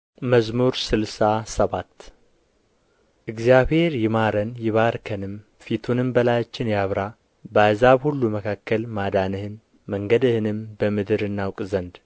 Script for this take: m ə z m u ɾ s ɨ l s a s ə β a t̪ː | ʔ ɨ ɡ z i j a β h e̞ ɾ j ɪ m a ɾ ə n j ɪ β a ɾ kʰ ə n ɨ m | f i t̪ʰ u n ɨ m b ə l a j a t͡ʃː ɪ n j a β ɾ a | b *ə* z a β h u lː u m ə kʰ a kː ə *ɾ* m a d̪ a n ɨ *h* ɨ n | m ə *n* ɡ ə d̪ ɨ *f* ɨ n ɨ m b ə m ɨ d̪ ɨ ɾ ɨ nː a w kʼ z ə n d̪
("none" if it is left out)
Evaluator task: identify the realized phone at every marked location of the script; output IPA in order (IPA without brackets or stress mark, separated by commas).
a, l, h, ŋ, h